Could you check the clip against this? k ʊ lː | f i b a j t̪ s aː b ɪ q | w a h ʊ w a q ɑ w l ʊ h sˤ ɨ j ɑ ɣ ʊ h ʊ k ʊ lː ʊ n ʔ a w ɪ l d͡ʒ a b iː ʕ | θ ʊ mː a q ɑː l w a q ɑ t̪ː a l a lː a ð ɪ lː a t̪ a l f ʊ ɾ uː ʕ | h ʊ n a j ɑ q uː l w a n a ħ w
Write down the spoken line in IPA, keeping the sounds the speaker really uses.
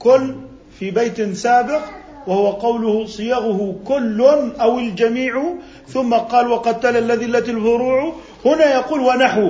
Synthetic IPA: k ʊ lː | f i b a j t̪ s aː b ɪ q | w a h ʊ w a q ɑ w l ʊ h sˤ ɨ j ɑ ɣ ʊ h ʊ k ʊ lː ʊ n ʔ a w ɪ l d͡ʒ a m iː ʕ | θ ʊ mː a q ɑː l w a q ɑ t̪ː a l a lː a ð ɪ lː a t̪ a l f ʊ ɾ uː ʕ | h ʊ n a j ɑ q uː l w a n a ħ w